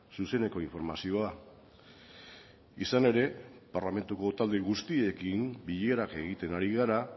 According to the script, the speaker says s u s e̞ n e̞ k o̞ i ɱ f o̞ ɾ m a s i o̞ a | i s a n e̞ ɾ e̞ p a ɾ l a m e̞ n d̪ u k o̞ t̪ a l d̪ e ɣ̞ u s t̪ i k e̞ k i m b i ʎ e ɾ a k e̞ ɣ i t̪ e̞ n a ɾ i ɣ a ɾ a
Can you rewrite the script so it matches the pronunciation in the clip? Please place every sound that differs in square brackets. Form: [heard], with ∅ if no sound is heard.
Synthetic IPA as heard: s u s e̞ n e̞ k o̞ i ɱ f o̞ ɾ m a s i o̞ a | i s a n e̞ ɾ e̞ p a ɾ l a m e̞ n [t̪] u k o̞ t̪ a l d̪ e ɣ̞ u s t̪ i [∅] e̞ k i m b i ʎ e ɾ a k e̞ ɣ i t̪ e̞ n a ɾ i ɣ a ɾ a